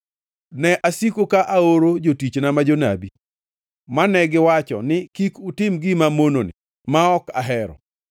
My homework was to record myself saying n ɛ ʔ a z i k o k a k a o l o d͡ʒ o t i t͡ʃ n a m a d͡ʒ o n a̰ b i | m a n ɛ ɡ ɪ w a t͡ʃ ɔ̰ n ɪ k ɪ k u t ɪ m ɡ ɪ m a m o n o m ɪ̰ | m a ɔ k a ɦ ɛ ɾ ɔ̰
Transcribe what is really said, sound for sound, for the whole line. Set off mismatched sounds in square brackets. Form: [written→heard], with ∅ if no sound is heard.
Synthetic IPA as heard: n ɛ ʔ a [z→s] i k o k a [k→ʔ] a o [l→ɾ] o d͡ʒ o t i t͡ʃ n a m a d͡ʒ o n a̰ b i | m a n ɛ ɡ ɪ w a t͡ʃ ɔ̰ n ɪ k [ɪ→i] k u t ɪ m ɡ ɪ m a m o n o [m→n] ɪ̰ | m a ɔ k a ɦ ɛ ɾ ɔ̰